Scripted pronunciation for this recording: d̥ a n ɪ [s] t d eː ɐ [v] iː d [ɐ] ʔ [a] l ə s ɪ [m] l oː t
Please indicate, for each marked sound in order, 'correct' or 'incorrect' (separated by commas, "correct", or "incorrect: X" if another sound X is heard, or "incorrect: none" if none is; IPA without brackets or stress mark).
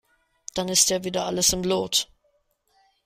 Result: correct, correct, correct, correct, correct